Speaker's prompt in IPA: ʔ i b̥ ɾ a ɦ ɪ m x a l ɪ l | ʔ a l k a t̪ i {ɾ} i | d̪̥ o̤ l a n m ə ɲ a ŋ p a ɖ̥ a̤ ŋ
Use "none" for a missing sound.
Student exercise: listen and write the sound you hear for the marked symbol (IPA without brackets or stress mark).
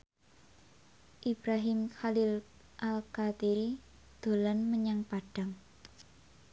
ɾ